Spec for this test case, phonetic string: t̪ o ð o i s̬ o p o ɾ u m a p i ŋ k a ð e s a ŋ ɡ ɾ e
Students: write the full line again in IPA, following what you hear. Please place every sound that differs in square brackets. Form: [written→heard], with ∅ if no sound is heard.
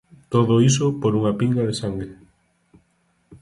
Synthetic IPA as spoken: t̪ o ð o i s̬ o p o ɾ u [m→ŋ] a p i ŋ [k→ɡ] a ð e s a ŋ ɡ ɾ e